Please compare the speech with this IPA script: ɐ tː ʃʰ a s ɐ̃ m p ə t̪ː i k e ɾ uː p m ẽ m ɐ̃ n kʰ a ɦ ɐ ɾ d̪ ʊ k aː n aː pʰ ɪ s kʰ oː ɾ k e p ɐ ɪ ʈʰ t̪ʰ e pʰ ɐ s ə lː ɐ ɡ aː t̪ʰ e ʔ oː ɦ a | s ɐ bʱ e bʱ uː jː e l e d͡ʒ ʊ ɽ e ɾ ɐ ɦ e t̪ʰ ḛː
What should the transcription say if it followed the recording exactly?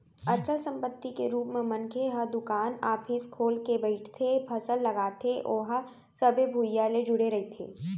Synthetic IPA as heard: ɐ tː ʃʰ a s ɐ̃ m p ə t̪ː i k e ɾ uː p m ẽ m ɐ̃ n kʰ e ɦ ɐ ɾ d̪ ʊ k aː n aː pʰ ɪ s kʰ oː l k e b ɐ ɪ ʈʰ t̪ʰ e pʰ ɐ s ə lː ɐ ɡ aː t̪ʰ e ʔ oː ɦ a | s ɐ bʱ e bʱ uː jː a l e d͡ʒ ʊ ɽ e ɾ ɐ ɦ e t̪ʰ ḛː